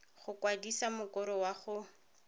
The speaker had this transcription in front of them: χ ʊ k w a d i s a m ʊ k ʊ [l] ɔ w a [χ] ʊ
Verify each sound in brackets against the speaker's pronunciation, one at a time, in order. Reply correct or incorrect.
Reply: incorrect: ɾ, correct

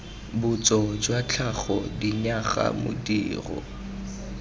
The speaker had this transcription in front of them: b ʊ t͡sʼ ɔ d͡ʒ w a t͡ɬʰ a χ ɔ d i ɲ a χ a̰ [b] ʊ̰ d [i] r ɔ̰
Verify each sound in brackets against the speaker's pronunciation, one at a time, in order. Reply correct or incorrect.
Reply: incorrect: m, incorrect: iː

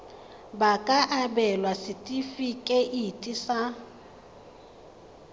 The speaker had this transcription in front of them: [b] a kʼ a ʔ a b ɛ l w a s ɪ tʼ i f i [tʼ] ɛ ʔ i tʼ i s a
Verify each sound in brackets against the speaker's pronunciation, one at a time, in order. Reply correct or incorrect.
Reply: correct, incorrect: kʼ

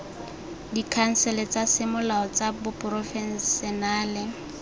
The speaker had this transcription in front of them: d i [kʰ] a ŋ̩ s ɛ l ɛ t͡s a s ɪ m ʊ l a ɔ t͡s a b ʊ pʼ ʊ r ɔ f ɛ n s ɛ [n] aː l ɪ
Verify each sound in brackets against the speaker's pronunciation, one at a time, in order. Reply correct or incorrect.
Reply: correct, correct

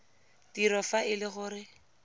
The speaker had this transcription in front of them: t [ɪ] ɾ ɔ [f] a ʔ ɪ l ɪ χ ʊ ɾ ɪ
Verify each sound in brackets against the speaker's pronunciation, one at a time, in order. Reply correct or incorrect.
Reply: incorrect: i, correct

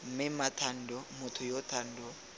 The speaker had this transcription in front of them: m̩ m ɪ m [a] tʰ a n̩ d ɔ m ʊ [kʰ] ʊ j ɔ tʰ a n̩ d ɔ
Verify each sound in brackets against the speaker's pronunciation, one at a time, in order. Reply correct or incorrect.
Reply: correct, incorrect: tʰ

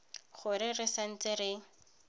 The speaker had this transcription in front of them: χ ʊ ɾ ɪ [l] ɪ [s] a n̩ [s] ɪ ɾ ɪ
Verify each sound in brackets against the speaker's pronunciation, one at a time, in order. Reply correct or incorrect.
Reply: incorrect: r, correct, incorrect: t͡s

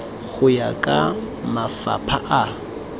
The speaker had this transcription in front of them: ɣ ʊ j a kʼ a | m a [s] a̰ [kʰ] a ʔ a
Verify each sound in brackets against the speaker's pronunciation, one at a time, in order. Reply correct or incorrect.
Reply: incorrect: f, incorrect: pʰ

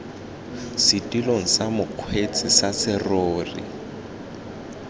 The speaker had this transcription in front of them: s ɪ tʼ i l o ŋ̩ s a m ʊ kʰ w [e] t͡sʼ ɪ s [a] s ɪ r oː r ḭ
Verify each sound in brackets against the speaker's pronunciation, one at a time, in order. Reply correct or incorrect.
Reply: correct, correct

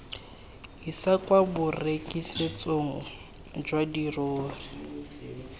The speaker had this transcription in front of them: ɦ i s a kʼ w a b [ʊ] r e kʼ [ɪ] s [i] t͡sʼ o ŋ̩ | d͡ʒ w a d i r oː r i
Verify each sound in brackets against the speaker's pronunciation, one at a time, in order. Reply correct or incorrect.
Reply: correct, incorrect: i, incorrect: e

